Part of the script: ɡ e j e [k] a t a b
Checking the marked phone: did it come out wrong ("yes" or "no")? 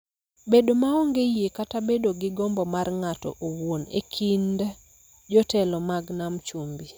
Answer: no